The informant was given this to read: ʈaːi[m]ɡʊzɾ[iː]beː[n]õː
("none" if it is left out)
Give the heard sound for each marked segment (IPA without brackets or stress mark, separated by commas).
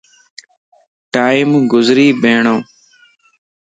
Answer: m, iː, ɳ